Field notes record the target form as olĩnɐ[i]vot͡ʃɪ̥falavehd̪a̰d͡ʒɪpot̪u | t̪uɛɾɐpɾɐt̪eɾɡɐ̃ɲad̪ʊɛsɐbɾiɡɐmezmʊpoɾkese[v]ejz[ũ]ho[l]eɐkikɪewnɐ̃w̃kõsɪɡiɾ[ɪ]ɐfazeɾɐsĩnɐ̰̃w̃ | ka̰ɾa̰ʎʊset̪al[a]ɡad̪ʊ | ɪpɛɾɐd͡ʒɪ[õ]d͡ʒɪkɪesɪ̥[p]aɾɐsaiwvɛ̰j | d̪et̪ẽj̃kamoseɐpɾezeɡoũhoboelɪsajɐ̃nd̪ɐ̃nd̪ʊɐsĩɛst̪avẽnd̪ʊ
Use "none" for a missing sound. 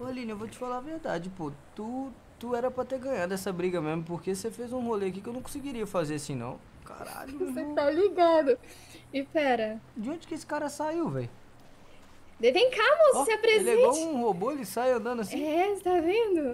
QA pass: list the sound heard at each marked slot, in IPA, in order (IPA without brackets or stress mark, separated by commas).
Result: e, f, ũ, l, i, i, õ, k